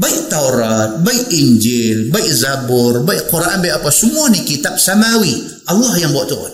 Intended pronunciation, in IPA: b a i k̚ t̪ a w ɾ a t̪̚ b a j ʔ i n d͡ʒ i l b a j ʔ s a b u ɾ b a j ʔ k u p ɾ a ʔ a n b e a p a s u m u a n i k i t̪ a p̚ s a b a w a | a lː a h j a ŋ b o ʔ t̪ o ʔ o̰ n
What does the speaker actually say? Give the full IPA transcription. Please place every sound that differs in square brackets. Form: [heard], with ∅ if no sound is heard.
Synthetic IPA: b a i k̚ t̪ a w ɾ a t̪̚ b a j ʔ i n d͡ʒ i l b a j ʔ [z] a b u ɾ b a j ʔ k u [∅] ɾ a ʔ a n b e a p a s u m u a n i k i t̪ a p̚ s a [m] a w [i] | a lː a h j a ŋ b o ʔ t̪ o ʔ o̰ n